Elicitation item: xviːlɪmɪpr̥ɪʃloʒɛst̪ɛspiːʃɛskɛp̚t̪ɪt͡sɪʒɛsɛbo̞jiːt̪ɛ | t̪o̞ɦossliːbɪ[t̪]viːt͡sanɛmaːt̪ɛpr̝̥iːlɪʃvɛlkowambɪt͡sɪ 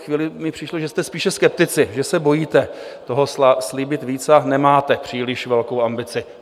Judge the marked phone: correct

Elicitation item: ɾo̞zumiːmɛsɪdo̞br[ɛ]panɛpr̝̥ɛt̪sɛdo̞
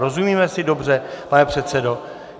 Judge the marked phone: correct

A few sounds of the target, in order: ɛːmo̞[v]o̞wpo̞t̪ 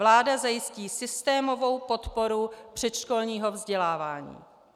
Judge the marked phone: correct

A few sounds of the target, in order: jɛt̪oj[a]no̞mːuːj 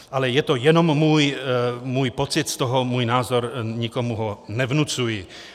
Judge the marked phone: incorrect: ɛ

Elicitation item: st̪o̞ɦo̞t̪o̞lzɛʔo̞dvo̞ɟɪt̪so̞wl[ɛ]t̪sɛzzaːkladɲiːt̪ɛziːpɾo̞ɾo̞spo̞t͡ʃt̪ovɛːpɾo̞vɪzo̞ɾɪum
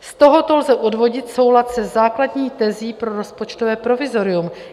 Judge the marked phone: incorrect: a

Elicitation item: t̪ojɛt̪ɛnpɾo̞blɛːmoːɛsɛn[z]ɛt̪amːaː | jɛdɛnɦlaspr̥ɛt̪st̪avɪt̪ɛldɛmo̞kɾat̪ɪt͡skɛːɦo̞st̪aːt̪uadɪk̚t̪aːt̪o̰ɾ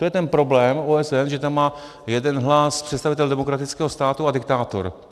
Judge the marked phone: incorrect: ʒ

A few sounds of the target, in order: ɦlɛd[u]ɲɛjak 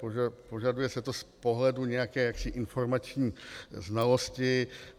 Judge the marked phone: correct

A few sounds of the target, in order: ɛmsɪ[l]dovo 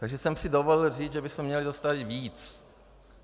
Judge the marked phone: incorrect: none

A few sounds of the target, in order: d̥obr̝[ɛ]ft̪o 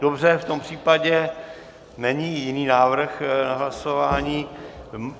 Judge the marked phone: correct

